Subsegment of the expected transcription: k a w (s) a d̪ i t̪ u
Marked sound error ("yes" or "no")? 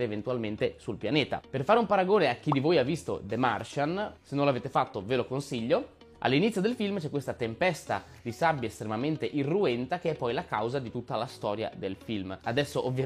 yes